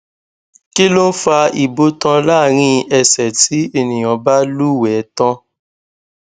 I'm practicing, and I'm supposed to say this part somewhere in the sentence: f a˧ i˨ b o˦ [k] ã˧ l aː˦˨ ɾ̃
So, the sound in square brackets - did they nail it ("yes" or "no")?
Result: no